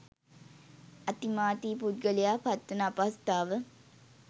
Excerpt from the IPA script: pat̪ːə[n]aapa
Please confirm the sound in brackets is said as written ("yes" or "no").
yes